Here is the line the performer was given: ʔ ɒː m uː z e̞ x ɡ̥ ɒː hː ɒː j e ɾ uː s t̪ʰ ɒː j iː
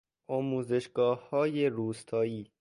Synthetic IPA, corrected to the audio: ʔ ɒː m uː z e̞ ʃ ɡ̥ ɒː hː ɒː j e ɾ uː s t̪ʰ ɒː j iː